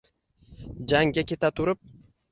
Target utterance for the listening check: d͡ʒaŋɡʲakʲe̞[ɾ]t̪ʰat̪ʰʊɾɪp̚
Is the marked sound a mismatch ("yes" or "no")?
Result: yes